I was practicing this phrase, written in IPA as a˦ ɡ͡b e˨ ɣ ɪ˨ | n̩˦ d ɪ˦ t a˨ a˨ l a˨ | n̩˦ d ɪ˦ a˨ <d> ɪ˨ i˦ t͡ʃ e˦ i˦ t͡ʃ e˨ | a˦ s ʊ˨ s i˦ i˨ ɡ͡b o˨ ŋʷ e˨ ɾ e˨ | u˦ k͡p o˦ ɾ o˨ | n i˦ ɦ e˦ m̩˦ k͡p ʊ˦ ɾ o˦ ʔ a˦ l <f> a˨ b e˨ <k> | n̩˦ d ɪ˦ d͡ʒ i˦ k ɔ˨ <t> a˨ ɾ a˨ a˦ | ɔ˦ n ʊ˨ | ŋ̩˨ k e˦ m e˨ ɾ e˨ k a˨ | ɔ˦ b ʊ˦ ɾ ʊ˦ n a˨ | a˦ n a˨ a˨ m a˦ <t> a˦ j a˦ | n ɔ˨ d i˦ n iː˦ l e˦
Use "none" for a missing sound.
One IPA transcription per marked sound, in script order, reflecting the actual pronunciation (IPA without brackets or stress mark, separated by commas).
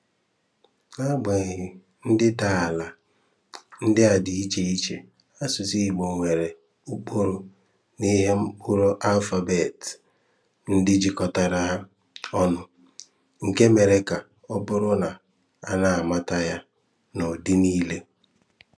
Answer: d, f, t, t, t